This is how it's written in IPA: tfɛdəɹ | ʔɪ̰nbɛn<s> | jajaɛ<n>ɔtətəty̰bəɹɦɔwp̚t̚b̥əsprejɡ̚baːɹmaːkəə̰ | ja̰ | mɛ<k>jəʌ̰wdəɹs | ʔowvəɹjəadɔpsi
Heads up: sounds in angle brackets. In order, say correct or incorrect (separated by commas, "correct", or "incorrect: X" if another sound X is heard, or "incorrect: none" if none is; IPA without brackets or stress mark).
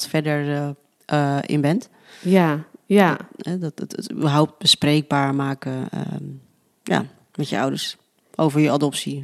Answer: incorrect: t, incorrect: d, incorrect: t